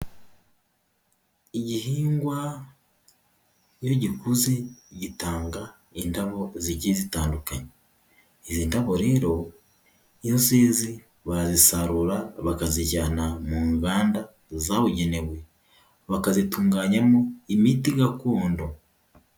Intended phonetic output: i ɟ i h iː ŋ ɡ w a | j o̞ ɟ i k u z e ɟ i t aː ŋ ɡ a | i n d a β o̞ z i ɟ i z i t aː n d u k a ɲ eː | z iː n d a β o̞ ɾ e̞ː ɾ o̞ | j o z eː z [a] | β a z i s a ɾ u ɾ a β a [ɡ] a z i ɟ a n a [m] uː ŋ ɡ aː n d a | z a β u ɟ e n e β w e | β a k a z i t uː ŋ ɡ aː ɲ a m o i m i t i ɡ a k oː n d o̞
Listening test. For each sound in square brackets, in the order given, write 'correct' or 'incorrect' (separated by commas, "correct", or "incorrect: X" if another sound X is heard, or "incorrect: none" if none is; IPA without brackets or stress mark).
incorrect: i, incorrect: k, correct